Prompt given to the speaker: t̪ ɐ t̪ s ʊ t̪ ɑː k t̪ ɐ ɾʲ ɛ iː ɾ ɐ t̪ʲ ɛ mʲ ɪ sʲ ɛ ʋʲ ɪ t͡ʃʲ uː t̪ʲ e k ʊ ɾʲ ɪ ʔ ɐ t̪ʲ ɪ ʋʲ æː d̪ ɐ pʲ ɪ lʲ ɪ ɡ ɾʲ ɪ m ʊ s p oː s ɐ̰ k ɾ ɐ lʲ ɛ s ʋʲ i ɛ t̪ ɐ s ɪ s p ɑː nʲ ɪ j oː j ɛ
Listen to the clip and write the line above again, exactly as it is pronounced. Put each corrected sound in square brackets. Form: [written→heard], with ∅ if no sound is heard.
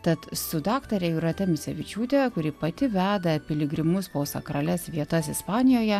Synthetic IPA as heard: t̪ ɐ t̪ s ʊ [t̪→d̪] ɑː k t̪ ɐ ɾʲ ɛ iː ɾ ɐ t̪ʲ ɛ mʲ ɪ sʲ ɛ ʋʲ ɪ t͡ʃʲ uː t̪ʲ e k ʊ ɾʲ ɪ [ʔ→p] ɐ t̪ʲ ɪ ʋʲ æː d̪ ɐ pʲ ɪ lʲ ɪ ɡ ɾʲ ɪ m ʊ s p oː s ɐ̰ k ɾ ɐ lʲ ɛ s ʋʲ i ɛ t̪ ɐ s ɪ s p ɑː nʲ ɪ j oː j ɛ

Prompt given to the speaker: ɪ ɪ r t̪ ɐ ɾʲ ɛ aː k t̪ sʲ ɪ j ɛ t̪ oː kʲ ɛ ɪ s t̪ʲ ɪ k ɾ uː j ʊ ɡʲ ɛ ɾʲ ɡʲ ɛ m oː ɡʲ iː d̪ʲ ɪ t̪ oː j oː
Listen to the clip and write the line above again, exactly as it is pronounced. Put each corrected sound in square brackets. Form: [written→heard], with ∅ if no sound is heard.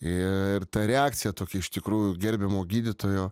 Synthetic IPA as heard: ɪ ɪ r t̪ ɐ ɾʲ ɛ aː k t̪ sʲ ɪ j ɛ t̪ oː kʲ ɛ ɪ [s→ʃ] t̪ʲ ɪ k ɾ uː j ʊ ɡʲ ɛ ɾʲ [ɡʲ→bʲ] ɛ m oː ɡʲ iː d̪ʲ ɪ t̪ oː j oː

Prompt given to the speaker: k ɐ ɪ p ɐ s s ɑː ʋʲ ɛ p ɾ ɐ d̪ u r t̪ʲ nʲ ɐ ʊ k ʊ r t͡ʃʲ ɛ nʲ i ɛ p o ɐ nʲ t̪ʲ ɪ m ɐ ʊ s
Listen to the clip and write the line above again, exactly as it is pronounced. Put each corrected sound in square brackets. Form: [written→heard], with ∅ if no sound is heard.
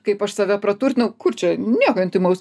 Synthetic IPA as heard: k ɐ ɪ p ɐ [s→ʃ] s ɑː ʋʲ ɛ p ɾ ɐ [d̪→t̪] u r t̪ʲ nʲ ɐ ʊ k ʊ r t͡ʃʲ ɛ nʲ i ɛ [p→k] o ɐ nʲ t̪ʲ ɪ m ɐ ʊ s

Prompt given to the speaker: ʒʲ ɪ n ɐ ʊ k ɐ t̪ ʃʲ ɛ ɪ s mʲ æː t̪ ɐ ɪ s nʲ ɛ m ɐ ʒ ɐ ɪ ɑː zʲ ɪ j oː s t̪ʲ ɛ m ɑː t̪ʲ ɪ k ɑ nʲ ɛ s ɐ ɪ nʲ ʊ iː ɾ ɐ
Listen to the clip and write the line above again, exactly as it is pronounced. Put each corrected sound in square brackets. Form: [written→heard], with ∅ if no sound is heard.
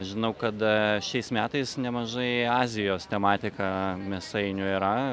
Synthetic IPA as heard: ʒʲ ɪ n ɐ ʊ k ɐ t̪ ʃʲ ɛ ɪ s mʲ æː t̪ ɐ ɪ s nʲ ɛ m ɐ ʒ ɐ ɪ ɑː zʲ ɪ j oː s t̪ʲ ɛ m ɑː t̪ʲ ɪ k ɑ [nʲ→mʲ] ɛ s ɐ ɪ nʲ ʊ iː ɾ ɐ

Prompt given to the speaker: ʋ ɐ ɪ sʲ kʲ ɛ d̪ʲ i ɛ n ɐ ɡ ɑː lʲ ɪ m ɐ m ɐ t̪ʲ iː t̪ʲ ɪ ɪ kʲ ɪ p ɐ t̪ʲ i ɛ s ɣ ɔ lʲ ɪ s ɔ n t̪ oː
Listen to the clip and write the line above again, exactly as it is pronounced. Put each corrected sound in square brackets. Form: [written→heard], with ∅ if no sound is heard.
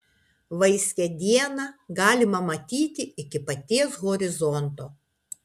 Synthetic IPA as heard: ʋ ɐ ɪ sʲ kʲ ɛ d̪ʲ i ɛ n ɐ ɡ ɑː lʲ ɪ m ɐ m ɐ t̪ʲ iː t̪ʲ ɪ ɪ kʲ ɪ p ɐ t̪ʲ i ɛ s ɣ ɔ [lʲ→ɾʲ] ɪ [s→z] ɔ n t̪ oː

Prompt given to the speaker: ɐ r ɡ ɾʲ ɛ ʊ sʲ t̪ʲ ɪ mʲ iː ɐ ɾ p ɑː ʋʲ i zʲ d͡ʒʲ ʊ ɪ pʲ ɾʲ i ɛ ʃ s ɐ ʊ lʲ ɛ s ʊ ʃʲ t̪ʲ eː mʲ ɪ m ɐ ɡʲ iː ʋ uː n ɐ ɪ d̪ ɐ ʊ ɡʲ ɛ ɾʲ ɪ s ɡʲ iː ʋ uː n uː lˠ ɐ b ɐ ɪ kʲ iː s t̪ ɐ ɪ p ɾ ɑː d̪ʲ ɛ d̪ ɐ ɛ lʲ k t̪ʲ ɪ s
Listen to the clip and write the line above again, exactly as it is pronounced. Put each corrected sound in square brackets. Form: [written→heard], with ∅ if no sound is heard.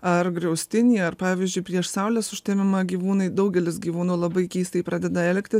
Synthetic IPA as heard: ɐ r ɡ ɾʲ ɛ ʊ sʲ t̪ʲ ɪ [mʲ→nʲ] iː ɐ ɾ p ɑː ʋʲ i zʲ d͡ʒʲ ʊ ɪ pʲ ɾʲ i ɛ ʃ s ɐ ʊ lʲ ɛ s ʊ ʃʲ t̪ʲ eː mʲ ɪ m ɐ ɡʲ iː ʋ uː n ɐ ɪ d̪ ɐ ʊ ɡʲ ɛ [ɾʲ→lʲ] ɪ s ɡʲ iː ʋ uː n uː lˠ ɐ b ɐ ɪ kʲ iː s t̪ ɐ ɪ p ɾ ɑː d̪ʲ ɛ d̪ ɐ ɛ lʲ k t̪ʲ ɪ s

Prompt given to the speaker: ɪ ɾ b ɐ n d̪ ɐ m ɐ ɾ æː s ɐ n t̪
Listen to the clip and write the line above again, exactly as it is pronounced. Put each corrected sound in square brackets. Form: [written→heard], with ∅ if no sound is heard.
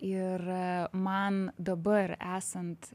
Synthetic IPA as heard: ɪ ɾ [b→m] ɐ n d̪ ɐ [m→b] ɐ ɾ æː s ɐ n t̪

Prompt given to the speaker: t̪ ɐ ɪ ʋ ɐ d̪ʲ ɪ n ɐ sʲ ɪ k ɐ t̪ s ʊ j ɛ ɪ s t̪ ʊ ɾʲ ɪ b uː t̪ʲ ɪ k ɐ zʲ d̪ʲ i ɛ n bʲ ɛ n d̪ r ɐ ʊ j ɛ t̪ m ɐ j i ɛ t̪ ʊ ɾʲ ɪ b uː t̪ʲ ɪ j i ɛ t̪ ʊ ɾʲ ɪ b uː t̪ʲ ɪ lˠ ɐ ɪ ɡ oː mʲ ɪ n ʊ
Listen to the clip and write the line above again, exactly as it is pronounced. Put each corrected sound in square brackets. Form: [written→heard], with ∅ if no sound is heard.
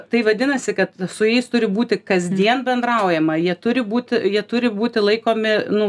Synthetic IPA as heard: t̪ ɐ ɪ ʋ ɐ d̪ʲ ɪ n ɐ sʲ ɪ k ɐ t̪ s ʊ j ɛ ɪ s t̪ ʊ ɾʲ ɪ b uː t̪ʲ ɪ k ɐ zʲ d̪ʲ i ɛ n bʲ ɛ n d̪ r ɐ ʊ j ɛ [t̪→∅] m ɐ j i ɛ t̪ ʊ ɾʲ ɪ b uː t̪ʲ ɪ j i ɛ t̪ ʊ ɾʲ ɪ b uː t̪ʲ ɪ lˠ ɐ ɪ [ɡ→k] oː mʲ ɪ n ʊ

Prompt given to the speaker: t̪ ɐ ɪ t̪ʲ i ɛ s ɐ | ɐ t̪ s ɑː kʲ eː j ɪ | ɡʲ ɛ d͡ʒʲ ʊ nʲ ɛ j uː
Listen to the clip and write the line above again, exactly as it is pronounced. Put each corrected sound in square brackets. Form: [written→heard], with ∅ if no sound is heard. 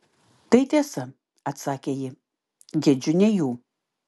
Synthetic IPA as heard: t̪ ɐ ɪ t̪ʲ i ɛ s ɐ | ɐ t̪ s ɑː kʲ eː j ɪ | ɡʲ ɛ d͡ʒʲ ʊ nʲ ɛ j uː

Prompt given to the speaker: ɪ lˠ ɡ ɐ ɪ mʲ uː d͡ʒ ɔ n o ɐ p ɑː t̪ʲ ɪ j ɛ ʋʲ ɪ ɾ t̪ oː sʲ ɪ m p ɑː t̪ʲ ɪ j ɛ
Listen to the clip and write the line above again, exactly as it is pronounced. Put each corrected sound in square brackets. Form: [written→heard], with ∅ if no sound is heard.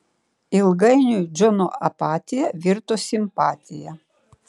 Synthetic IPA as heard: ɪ lˠ ɡ ɐ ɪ [mʲ→nʲ] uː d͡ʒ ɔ n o ɐ p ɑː t̪ʲ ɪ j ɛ ʋʲ ɪ ɾ t̪ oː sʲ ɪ m p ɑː t̪ʲ ɪ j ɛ

